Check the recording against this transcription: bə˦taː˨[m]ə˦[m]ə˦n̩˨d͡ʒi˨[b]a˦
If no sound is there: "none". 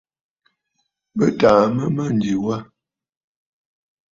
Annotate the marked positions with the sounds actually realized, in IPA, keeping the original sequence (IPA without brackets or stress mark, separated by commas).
m, m, w